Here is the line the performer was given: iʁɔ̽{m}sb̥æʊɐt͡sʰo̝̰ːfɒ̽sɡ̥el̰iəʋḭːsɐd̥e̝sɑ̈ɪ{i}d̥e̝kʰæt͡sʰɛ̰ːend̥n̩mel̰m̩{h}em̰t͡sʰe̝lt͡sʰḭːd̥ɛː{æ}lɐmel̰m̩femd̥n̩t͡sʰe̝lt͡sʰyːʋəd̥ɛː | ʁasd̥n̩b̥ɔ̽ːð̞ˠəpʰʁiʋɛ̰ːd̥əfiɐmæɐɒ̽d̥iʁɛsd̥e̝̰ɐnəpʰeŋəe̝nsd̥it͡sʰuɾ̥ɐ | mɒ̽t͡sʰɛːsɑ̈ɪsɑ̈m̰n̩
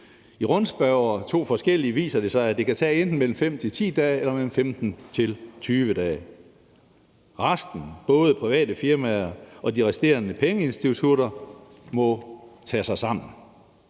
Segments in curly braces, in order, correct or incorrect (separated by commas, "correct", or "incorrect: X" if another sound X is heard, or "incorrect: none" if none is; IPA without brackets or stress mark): incorrect: n, incorrect: æ, incorrect: f, incorrect: e